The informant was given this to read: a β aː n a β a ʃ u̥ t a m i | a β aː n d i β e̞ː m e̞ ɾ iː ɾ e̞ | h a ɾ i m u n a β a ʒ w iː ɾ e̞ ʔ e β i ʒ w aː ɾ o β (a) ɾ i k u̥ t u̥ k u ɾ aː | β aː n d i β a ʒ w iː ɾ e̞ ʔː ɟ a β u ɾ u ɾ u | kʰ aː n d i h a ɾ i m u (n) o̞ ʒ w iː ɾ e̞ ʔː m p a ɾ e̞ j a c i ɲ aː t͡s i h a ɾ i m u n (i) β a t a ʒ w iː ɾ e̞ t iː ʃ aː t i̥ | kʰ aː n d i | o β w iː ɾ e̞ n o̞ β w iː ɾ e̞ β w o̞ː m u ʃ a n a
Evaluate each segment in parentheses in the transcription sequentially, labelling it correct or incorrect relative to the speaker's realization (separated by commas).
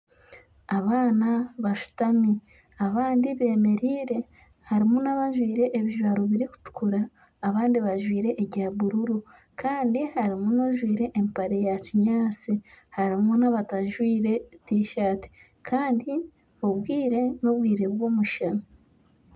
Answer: incorrect, correct, incorrect